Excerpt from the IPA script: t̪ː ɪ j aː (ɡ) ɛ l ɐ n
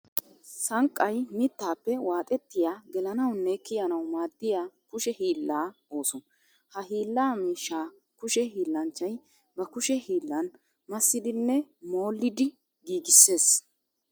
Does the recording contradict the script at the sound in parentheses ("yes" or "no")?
no